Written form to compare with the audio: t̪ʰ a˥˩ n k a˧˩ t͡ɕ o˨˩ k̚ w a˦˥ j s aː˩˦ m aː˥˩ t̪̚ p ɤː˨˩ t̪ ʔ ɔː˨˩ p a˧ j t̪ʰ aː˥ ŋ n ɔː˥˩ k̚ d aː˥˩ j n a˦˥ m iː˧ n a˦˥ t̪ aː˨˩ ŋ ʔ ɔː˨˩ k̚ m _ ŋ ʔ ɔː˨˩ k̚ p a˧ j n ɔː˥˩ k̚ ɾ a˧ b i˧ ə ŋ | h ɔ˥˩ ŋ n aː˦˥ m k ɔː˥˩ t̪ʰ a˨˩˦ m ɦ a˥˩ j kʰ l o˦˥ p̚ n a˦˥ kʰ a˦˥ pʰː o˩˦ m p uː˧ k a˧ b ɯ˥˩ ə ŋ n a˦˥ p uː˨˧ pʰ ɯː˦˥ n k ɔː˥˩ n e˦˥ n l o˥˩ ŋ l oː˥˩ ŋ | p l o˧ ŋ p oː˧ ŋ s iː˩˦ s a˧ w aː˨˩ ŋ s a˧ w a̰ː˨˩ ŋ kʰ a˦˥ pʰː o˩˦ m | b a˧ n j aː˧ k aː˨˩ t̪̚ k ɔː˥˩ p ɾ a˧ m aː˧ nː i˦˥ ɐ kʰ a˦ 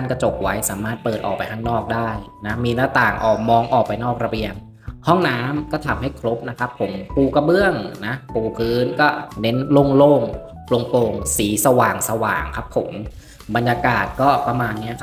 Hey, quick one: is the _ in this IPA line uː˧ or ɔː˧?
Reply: ɔː˧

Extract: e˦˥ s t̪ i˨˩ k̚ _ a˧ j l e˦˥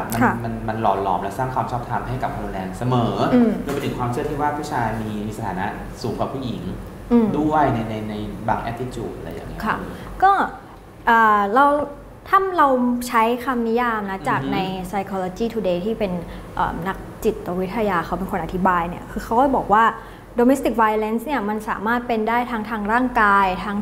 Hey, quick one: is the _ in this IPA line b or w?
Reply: w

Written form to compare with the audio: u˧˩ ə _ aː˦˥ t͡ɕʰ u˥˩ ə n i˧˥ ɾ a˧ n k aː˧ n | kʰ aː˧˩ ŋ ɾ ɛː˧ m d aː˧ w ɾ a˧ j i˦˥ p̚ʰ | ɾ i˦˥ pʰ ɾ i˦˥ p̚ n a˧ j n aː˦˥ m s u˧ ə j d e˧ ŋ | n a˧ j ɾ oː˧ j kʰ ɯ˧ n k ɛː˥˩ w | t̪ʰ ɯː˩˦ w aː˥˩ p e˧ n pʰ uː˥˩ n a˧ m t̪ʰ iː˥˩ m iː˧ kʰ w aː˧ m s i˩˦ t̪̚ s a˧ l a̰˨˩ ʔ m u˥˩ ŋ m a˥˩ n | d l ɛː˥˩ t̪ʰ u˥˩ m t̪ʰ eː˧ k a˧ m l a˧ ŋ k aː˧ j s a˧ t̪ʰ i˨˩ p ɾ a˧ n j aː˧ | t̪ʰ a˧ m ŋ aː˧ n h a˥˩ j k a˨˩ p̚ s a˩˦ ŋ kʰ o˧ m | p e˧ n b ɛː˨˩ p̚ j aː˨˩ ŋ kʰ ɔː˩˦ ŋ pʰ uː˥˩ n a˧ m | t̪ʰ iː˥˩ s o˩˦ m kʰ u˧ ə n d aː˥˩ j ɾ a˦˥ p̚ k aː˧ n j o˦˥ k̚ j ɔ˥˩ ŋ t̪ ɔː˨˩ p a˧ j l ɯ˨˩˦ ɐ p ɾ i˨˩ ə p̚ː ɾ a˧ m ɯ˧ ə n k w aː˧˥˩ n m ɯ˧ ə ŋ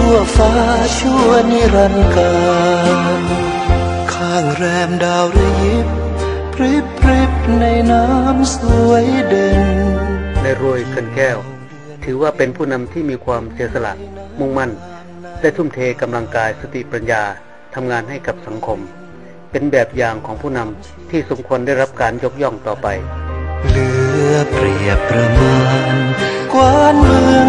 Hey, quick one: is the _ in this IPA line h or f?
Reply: f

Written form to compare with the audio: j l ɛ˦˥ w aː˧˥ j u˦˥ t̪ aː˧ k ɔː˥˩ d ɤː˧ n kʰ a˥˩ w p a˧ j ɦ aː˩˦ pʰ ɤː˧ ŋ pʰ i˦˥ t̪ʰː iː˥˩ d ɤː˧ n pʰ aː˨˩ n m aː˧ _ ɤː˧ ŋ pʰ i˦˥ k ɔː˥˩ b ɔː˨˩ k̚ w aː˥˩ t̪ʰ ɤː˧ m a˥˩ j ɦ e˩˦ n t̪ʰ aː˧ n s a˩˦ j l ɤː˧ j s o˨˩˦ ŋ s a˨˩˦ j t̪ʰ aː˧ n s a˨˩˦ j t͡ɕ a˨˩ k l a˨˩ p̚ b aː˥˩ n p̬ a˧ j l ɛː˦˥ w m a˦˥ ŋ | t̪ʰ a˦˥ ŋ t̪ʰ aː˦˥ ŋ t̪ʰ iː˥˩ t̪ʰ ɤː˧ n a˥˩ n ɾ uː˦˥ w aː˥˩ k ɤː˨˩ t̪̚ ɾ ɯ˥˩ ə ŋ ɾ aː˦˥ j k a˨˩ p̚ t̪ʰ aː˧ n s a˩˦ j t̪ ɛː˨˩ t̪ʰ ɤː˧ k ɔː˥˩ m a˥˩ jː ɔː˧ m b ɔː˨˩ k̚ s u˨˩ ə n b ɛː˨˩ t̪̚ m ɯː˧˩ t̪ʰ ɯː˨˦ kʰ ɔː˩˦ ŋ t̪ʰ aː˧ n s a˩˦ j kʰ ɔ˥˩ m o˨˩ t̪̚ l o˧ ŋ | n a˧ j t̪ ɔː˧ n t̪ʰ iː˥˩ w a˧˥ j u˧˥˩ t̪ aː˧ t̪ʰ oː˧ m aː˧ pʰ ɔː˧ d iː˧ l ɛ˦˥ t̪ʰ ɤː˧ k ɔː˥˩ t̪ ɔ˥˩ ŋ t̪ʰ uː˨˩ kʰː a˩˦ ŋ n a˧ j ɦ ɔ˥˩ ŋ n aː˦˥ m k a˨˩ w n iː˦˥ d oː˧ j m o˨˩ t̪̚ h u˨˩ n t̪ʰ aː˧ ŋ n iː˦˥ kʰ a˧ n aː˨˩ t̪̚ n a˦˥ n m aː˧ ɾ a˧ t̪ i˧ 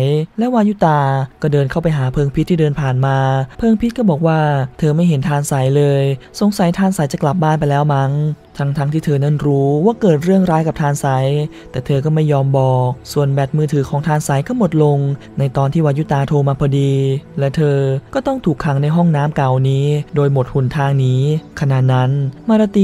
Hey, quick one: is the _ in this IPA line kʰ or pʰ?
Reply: pʰ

